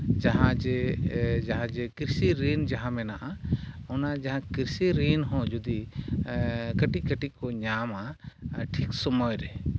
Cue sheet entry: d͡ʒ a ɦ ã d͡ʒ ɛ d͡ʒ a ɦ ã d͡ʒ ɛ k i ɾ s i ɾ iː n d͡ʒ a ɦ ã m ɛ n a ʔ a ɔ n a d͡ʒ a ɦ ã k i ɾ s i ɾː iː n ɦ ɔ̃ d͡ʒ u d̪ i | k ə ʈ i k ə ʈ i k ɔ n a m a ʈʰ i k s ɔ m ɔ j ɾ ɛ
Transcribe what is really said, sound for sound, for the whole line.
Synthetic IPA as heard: d͡ʒ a ɦ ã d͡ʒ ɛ d͡ʒ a ɦ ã d͡ʒ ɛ k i ɾ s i ɾ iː n d͡ʒ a ɦ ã m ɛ n a ʔ a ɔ n a d͡ʒ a ɦ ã k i ɾ s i ɾ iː n ɦ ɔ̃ d͡ʒ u d̪ i | k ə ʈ i k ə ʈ i k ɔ ɲ a m a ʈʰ i k s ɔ m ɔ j ɾ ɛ